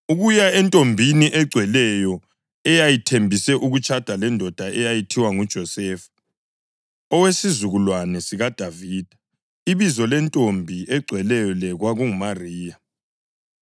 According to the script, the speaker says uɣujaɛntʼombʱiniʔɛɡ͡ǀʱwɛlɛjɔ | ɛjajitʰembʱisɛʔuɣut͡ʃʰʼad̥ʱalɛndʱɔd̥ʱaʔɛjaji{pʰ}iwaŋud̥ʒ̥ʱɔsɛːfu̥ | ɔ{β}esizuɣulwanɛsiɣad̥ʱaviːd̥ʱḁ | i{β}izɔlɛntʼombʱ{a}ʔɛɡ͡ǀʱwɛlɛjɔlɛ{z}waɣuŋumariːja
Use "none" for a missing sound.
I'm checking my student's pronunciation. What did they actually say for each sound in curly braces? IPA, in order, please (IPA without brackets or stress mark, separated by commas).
tʰ, w, β, i, ɣ